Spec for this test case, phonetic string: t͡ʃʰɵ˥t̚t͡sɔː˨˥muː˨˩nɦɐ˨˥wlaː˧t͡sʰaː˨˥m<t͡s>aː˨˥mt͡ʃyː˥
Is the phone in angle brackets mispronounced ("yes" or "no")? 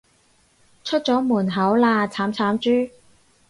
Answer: yes